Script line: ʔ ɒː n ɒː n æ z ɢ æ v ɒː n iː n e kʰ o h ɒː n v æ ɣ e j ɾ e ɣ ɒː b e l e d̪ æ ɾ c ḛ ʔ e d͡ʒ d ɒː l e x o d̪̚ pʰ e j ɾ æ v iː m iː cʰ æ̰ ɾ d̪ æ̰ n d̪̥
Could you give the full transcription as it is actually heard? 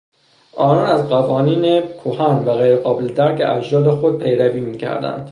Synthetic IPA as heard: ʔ ɒː n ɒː n æ z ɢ æ v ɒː n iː n e kʰ o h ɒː n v æ ɣ e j ɾ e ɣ ɒː b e l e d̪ æ ɾ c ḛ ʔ æ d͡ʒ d ɒː l e x o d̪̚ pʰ e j ɾ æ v iː m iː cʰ æ̰ ɾ d̪ æ̰ n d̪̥